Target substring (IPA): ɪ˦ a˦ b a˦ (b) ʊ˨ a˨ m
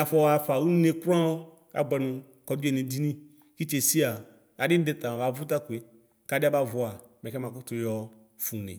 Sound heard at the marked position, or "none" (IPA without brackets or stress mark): v